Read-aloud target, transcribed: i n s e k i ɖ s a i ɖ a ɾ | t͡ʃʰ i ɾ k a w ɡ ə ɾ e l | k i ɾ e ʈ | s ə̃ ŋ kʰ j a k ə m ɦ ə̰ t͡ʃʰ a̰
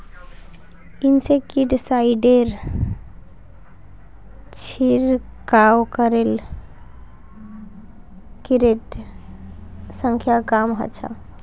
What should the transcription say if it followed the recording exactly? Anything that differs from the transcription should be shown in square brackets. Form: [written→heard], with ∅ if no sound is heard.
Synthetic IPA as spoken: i n s e k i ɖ s a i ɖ [a→e] ɾ | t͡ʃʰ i ɾ k a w [ɡ→k] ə ɾ e l | k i ɾ e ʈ | s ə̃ ŋ kʰ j a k [ə→a] m ɦ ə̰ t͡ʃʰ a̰